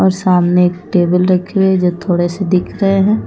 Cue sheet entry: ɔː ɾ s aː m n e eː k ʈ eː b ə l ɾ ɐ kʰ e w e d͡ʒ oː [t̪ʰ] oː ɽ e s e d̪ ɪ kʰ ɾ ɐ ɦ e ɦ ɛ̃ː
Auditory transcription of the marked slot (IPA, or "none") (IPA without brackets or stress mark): t̪ʰ